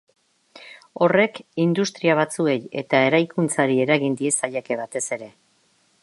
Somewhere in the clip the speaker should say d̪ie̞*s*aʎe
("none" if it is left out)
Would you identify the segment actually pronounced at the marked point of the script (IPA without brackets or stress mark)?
s